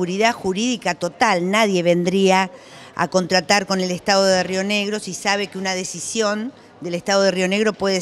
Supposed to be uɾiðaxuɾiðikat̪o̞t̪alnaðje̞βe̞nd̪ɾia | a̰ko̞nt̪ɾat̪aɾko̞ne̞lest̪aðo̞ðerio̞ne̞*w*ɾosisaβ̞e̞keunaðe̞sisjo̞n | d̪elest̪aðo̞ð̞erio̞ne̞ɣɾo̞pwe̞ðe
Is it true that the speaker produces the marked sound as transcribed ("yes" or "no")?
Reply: no